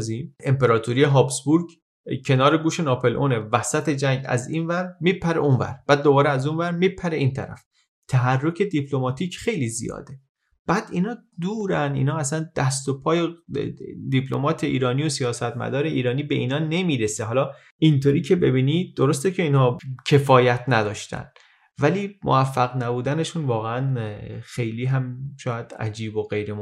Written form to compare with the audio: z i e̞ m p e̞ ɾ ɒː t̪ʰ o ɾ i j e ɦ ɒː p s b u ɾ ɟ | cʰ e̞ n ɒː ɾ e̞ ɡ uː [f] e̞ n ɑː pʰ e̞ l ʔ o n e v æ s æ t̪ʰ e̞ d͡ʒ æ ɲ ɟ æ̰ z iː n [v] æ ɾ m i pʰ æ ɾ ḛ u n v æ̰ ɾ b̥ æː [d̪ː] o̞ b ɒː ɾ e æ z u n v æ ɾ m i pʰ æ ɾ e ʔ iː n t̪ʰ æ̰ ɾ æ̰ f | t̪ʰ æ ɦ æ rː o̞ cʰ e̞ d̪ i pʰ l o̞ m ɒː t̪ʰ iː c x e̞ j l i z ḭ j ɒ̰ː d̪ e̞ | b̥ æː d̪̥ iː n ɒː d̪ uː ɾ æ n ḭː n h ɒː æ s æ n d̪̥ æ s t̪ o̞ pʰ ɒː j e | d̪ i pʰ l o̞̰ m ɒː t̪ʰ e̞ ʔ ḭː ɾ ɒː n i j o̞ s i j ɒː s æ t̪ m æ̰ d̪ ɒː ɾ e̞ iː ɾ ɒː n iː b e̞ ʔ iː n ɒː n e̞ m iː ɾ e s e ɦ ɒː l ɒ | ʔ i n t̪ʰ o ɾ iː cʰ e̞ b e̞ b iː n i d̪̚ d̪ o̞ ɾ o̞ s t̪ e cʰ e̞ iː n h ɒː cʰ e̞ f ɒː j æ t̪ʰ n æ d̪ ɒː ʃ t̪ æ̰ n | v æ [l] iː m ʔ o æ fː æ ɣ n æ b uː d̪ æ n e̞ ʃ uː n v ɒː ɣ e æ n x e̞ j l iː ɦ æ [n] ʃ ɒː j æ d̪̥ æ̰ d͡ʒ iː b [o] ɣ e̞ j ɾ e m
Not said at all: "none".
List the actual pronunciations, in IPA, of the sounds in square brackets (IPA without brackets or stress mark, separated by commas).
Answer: ʃ, v, d̪ː, l, m, o